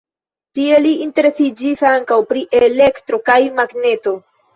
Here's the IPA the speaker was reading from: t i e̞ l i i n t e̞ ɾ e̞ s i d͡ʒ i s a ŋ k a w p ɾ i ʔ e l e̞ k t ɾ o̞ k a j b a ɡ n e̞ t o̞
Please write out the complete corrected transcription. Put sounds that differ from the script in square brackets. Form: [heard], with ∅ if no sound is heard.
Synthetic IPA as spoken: t i e̞ l i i n t e̞ ɾ e̞ s i d͡ʒ i s a ŋ k a w p ɾ i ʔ e l e̞ k t ɾ o̞ k a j [m] a ɡ n e̞ t o̞